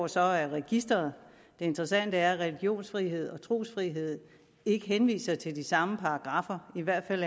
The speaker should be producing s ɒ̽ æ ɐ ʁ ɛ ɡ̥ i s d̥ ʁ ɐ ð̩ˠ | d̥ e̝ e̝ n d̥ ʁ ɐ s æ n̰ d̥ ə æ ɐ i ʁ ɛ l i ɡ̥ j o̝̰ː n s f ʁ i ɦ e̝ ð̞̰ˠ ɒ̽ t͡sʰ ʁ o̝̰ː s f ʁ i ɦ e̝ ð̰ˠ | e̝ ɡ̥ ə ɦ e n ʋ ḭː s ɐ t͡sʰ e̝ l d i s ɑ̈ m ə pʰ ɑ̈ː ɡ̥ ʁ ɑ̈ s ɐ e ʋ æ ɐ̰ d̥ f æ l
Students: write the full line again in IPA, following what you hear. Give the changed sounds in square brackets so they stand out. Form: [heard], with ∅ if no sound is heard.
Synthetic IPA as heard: s ɒ̽ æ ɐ ʁ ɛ ɡ̥ i s d̥ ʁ ɐ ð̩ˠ | d̥ e̝ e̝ n d̥ ʁ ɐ s æ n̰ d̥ ə æ ɐ [æ] ʁ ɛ l i ɡ̥ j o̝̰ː n s f ʁ i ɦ e̝ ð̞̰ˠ ɒ̽ t͡sʰ ʁ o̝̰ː s f ʁ i ɦ e̝ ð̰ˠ | e̝ ɡ̥ ə ɦ e n ʋ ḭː s ɐ t͡sʰ e̝ l d i s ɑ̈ m ə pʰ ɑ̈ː ɡ̥ ʁ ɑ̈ [f] ɐ [i] ʋ æ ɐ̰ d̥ f æ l